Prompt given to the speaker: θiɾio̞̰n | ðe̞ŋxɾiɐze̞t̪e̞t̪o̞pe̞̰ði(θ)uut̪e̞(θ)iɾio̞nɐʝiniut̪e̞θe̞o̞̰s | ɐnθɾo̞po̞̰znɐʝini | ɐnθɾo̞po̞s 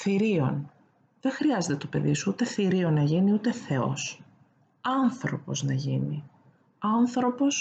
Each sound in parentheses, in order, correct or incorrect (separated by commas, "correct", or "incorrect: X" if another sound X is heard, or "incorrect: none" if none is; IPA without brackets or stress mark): incorrect: s, correct